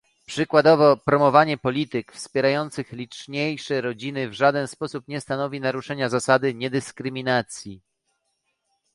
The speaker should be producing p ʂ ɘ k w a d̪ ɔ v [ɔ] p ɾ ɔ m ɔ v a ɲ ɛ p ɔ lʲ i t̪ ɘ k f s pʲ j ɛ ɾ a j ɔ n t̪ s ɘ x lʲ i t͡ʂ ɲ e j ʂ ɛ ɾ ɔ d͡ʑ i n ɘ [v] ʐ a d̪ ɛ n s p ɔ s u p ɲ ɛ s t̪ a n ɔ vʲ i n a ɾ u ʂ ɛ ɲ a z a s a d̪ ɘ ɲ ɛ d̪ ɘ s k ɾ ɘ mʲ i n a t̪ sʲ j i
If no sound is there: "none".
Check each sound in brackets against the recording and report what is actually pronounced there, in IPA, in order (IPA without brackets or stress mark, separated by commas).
ɔ, v